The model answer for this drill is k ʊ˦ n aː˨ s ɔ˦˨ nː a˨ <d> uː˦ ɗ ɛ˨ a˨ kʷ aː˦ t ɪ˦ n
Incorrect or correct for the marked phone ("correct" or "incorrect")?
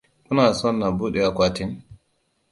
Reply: incorrect